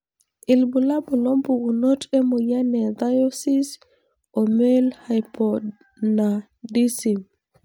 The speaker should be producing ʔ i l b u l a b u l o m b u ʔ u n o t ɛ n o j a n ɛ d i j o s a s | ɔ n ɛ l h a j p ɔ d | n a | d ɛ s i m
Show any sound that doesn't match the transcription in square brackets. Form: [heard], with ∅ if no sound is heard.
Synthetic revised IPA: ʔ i l b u l a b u l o m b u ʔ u n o t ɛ [m] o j a n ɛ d [a] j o s [i] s | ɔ [m] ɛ l h a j p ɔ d | n a | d [i] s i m

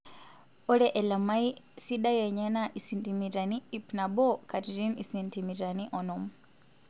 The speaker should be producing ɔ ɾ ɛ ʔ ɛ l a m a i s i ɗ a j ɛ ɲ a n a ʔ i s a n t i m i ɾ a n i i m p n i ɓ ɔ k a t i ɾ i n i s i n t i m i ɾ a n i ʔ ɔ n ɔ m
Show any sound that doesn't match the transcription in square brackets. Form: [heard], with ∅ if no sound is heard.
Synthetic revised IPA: ɔ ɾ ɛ ʔ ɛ l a m a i s i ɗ a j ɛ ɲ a n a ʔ i s [i] n t i m i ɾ a n i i [∅] p n [a] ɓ ɔ k a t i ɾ i n i s i n t i m i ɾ a n i ʔ ɔ n ɔ m

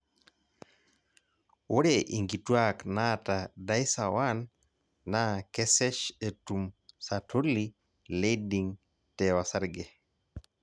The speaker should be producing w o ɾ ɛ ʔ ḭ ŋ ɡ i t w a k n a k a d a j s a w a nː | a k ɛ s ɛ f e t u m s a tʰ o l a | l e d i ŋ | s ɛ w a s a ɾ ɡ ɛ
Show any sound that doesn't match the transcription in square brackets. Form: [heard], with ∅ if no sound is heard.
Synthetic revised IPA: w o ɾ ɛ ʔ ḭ ŋ ɡ i t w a k n a [t] a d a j s a w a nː | a k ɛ s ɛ [ʃ] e t u m s a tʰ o l [i] | l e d i ŋ | [t] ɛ w a s a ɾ ɡ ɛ

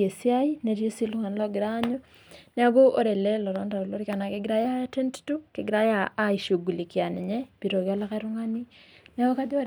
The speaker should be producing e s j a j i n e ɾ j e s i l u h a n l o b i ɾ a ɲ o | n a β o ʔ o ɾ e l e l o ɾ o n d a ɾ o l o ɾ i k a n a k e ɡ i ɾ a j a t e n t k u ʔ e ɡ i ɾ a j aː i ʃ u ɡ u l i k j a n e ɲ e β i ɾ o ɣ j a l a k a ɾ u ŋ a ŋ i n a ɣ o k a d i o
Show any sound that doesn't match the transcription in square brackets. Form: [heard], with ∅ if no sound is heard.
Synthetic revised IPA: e s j a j i n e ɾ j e s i l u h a n l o [ɡ] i ɾ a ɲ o | n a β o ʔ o ɾ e l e l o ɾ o n d a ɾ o l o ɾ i k a n a k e ɡ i ɾ a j a t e n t [t] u [k] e ɡ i ɾ a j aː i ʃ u ɡ u l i k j a n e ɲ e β i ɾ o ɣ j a l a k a ɾ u ŋ a [n] i n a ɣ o k a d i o

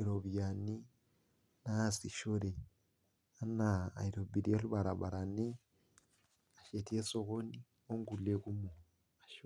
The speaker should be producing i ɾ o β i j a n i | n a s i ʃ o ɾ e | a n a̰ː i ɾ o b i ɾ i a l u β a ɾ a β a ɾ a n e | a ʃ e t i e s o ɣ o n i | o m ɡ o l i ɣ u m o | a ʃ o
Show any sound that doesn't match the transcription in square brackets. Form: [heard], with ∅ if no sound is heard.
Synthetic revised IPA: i ɾ o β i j a n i | n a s i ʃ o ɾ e | a n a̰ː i ɾ o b i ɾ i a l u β a ɾ a β a ɾ a n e | a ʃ e t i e s o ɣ o n i | o [ŋ] ɡ [u] l [e] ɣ u m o | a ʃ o

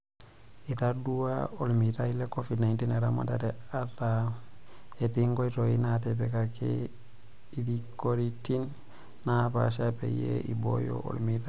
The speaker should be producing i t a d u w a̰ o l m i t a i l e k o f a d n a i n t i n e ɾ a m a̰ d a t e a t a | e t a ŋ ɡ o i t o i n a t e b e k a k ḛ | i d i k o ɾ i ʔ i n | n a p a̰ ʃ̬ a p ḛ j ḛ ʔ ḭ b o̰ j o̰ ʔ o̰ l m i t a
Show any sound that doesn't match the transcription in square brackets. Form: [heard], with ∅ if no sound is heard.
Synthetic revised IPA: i t a d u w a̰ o l m i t a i l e k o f [i] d n a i n t i n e ɾ a m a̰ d a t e a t a | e t [i] ŋ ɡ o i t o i n a t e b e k a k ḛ | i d i k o ɾ i [t] i n | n a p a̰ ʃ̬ a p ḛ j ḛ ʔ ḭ b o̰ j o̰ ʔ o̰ l m i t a

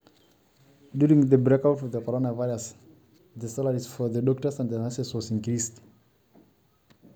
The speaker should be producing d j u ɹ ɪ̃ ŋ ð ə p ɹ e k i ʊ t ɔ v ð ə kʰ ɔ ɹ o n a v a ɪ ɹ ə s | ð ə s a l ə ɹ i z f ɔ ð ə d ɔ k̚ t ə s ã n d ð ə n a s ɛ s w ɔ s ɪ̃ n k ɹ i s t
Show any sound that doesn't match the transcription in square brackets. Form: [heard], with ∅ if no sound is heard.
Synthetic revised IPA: d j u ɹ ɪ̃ ŋ ð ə [b] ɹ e k [a] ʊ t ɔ v ð ə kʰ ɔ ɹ o n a v a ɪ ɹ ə s | ð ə s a l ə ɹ i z f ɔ ð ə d ɔ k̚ t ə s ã n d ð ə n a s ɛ s w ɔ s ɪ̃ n k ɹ i s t

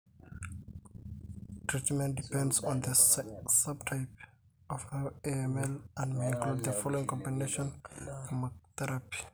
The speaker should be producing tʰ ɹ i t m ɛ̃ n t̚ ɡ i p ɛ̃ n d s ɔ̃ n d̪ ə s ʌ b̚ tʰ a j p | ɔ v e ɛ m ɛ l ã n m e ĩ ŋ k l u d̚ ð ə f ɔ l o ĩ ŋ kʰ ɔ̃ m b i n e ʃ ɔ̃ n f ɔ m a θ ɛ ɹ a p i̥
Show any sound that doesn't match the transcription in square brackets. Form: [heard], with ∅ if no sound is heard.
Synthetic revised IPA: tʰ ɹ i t m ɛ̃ n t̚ [d] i p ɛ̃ n d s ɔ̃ n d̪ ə s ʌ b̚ tʰ a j p | ɔ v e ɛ m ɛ l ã n m e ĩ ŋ k l u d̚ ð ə f ɔ l o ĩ ŋ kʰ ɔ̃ m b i n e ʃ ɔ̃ n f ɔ m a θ ɛ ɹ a p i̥

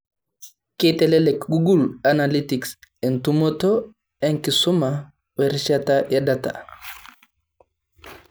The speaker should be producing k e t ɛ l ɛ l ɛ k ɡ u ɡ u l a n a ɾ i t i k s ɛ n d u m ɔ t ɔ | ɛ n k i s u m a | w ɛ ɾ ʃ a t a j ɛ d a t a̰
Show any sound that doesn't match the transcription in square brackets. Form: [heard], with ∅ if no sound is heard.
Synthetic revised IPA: k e t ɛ l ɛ l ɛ k ɡ u ɡ u l a n a [l] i t i k s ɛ n [t] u m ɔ t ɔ | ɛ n k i s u m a | w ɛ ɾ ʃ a t a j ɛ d a t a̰

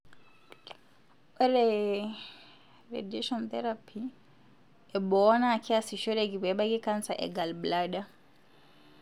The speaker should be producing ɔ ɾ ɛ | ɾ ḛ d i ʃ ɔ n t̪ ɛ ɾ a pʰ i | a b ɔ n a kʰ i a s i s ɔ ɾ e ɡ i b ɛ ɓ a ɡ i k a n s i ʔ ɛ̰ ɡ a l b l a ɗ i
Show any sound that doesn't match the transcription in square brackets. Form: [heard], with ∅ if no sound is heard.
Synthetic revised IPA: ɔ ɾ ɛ | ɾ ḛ d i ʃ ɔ n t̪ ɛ ɾ a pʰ i | [ɛ] b ɔ n a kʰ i a s i [ʃ] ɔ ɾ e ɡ i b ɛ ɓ a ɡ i k a n s [a] ʔ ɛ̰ ɡ a l b l a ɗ [a]

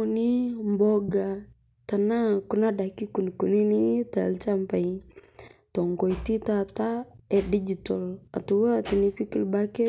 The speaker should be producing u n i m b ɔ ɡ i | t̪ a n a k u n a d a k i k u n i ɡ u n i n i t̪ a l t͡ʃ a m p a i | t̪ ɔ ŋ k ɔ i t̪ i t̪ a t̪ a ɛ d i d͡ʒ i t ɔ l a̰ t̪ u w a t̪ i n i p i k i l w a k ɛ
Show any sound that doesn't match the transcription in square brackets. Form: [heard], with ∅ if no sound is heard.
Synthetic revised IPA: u n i m b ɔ ɡ [a] | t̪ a n a k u n a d a k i k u n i [k] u n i n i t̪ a l t͡ʃ a m p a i | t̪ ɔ ŋ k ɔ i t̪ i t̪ a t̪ a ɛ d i d͡ʒ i t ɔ l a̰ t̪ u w a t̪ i n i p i k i l [b] a k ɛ

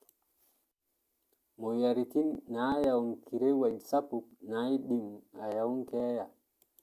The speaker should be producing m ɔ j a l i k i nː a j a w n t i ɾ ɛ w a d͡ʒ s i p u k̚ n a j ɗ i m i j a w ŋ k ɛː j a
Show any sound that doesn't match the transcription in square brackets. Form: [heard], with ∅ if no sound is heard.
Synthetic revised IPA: m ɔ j a [ɾ] i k i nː a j a w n [k] i ɾ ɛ w a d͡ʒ s [a] p u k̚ n a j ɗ i m [a] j a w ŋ k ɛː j a

